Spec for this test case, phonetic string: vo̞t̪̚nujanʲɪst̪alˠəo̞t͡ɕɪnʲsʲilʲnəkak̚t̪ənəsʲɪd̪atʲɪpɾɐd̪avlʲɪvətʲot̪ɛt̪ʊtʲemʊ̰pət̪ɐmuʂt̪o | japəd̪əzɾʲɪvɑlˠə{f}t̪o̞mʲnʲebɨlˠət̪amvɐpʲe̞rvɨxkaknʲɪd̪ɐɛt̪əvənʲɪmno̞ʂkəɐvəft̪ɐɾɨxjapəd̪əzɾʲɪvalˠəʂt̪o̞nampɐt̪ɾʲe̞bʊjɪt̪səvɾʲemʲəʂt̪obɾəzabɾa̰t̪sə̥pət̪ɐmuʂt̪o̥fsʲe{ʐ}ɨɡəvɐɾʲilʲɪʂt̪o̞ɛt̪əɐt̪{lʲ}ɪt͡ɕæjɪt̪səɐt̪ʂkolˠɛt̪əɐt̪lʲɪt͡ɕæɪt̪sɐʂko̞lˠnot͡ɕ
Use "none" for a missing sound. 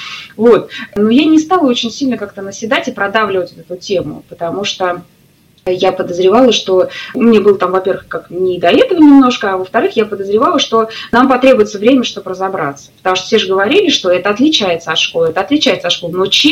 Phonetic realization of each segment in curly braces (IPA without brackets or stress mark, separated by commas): ʂ, ʐ, lʲ